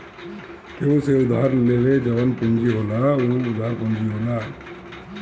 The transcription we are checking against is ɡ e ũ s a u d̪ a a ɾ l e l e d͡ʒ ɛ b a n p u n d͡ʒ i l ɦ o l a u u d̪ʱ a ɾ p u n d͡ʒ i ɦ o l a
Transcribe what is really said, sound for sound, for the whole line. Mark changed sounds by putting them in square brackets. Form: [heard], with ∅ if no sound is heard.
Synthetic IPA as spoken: [k] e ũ s [e] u d̪ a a ɾ l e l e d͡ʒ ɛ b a n p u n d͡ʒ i [∅] ɦ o l a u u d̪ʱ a ɾ p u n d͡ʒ i ɦ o l a